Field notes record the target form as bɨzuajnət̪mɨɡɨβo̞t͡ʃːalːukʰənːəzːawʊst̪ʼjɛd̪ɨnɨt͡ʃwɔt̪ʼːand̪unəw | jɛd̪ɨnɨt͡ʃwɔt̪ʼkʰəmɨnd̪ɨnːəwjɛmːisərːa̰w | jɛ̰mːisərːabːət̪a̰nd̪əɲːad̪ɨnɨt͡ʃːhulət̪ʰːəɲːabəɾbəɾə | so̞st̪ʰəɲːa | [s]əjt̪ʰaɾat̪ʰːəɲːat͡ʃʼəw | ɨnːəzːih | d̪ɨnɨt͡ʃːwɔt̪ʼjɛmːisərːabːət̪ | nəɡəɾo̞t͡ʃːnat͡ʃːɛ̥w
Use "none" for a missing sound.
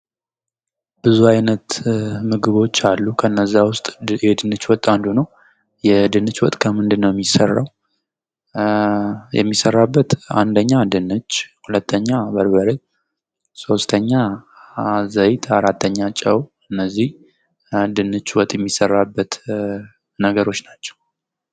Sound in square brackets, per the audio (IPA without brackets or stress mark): z